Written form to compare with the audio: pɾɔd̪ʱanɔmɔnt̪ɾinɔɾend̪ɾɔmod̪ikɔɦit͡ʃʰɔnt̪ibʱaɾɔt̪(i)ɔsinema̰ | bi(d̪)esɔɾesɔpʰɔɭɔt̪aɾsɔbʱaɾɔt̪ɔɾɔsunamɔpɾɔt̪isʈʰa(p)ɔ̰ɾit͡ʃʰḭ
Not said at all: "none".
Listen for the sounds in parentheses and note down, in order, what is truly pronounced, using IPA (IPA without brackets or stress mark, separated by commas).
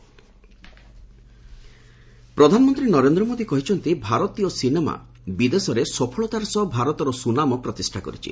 i, d̪, k